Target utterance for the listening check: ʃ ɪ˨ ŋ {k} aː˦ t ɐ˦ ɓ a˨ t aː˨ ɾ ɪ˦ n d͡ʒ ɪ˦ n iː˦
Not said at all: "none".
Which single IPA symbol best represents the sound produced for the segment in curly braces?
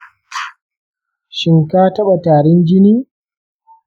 k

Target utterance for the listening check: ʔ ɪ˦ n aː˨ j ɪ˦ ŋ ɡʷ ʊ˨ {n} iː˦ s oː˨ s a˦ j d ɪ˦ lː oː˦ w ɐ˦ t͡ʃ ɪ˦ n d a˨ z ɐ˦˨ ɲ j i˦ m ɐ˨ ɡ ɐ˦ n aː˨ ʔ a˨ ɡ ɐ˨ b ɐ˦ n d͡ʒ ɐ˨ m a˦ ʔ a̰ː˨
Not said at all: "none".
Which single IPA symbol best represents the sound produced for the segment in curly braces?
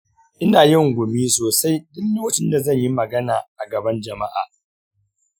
m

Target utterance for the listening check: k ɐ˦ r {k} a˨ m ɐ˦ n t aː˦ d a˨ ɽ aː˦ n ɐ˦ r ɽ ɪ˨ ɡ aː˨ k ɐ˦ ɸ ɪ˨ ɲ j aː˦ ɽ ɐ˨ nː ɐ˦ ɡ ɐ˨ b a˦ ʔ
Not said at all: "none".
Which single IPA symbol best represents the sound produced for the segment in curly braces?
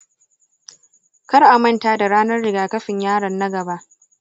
ʔ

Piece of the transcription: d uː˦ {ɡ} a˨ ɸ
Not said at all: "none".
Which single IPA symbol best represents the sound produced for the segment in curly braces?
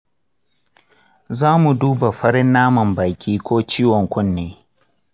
b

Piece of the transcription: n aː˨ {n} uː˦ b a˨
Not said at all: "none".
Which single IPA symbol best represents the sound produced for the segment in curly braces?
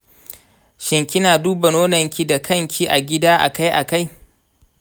d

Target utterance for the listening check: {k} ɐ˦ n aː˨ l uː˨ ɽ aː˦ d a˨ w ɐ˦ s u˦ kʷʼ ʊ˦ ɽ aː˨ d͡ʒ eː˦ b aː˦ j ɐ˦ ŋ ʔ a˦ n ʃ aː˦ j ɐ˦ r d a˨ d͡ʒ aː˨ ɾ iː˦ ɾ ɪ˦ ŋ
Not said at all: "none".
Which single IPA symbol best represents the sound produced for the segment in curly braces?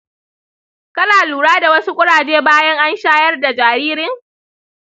k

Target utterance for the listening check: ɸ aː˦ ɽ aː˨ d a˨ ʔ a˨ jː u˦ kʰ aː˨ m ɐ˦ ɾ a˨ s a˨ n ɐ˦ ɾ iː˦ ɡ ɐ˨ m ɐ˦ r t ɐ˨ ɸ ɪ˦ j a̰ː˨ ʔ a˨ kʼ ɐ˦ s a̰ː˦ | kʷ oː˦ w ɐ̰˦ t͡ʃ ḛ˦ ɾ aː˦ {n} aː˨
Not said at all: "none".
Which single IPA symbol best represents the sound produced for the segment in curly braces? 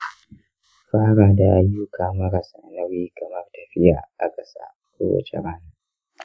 n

